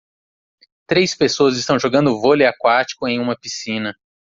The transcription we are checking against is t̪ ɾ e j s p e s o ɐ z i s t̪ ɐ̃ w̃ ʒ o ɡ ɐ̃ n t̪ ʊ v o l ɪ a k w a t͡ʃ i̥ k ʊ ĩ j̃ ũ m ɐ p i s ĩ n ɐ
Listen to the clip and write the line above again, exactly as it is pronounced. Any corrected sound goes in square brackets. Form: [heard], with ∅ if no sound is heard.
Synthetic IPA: t̪ ɾ e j s p e s o ɐ z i s t̪ ɐ̃ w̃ ʒ o ɡ ɐ̃ n [d̪] ʊ v o l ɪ a k w a t͡ʃ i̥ k ʊ [ẽ] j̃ ũ m ɐ p i s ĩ n ɐ